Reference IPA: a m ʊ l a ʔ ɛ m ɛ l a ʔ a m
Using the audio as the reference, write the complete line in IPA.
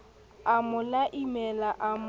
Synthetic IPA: a m ʊ l a ʔ i m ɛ l a ʔ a m